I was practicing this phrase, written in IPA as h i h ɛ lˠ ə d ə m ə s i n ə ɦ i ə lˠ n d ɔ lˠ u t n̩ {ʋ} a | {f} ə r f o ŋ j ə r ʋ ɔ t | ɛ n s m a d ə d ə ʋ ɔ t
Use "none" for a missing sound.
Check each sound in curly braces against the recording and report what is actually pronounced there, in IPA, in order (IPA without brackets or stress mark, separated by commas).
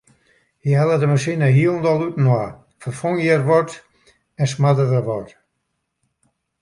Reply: w, f